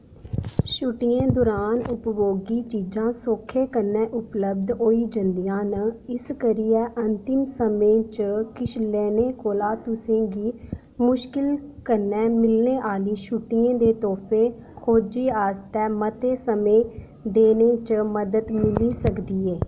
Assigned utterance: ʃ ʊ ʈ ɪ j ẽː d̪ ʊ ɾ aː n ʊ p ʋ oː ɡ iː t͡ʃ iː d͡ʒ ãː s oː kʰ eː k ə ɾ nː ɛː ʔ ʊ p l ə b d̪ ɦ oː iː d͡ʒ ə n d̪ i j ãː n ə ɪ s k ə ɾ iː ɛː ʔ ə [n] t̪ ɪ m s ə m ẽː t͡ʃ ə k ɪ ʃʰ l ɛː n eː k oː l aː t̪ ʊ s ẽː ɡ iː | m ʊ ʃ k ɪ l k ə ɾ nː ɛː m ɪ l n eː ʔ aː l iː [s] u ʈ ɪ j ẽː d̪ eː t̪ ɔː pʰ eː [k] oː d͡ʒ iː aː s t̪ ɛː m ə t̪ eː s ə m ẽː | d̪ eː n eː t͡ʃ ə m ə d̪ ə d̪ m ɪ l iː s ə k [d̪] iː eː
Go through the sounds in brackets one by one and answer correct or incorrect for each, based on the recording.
correct, incorrect, incorrect, correct

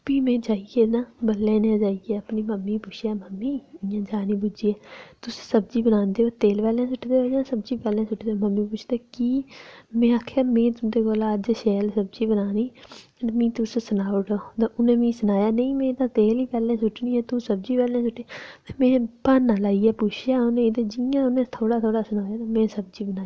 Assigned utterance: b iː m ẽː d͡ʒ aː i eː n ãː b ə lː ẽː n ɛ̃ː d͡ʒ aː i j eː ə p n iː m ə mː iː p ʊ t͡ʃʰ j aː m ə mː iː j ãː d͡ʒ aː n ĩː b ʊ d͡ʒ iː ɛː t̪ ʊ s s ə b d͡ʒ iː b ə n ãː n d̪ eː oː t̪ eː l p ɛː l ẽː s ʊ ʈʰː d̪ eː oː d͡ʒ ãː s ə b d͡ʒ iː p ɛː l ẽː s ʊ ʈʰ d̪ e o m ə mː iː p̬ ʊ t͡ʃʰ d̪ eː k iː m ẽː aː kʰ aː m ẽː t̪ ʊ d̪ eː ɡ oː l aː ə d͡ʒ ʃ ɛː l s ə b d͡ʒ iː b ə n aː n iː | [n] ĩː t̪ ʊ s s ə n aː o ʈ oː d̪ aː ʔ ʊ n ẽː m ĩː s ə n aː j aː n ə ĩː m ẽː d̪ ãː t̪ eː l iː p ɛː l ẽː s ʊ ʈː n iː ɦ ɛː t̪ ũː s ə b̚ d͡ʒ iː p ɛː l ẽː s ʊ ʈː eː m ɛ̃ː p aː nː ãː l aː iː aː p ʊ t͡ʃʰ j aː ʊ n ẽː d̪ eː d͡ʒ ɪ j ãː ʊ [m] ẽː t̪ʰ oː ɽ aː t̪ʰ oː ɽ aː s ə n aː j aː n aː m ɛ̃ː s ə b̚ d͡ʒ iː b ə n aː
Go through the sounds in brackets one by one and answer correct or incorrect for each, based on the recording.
incorrect, incorrect

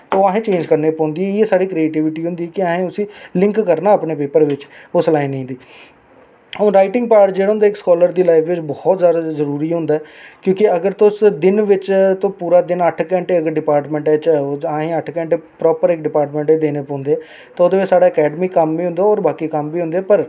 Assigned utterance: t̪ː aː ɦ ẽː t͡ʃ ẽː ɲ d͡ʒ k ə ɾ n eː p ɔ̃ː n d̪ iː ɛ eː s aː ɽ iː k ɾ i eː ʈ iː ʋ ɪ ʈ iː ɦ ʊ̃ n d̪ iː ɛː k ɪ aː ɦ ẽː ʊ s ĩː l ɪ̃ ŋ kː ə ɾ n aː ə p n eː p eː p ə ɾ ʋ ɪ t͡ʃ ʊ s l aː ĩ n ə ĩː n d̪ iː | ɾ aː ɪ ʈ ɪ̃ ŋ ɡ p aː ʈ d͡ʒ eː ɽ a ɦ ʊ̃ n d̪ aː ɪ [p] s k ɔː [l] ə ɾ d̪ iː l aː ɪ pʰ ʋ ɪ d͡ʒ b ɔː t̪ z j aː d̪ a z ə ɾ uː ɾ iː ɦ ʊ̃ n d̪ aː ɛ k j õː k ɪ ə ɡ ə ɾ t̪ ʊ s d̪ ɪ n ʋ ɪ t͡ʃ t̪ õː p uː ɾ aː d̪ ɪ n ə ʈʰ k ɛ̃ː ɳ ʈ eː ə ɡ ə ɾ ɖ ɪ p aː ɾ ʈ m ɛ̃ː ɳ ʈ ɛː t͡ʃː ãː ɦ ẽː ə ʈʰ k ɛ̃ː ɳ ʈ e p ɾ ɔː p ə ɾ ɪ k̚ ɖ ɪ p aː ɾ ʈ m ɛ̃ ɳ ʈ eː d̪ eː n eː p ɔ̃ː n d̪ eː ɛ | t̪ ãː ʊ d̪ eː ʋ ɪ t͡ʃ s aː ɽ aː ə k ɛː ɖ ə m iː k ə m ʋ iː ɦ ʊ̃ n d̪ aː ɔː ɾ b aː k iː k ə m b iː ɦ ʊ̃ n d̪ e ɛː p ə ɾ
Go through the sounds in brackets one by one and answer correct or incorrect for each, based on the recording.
incorrect, correct

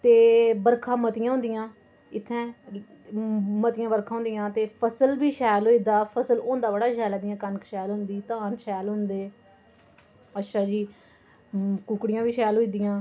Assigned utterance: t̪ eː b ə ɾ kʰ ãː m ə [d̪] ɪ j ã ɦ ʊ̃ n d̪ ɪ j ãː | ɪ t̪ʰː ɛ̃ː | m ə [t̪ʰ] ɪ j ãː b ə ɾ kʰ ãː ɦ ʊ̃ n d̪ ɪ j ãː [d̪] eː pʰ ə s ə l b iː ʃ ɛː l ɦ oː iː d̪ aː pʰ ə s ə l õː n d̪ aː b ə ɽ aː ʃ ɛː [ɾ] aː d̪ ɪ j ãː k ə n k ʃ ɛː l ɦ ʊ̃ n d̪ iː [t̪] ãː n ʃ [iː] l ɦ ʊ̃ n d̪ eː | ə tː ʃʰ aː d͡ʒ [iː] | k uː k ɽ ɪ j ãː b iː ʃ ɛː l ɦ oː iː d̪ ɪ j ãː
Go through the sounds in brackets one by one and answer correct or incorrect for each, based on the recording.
incorrect, incorrect, incorrect, incorrect, correct, incorrect, correct

